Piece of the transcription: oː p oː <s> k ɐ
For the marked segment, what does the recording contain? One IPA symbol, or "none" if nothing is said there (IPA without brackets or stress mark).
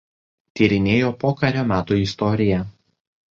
none